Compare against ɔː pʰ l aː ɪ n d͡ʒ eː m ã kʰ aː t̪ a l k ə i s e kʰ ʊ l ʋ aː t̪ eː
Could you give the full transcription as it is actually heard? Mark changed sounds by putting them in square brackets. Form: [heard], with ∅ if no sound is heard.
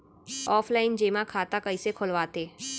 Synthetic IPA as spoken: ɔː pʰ l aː ɪ n d͡ʒ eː m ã kʰ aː t̪ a [∅] k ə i s e kʰ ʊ l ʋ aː t̪ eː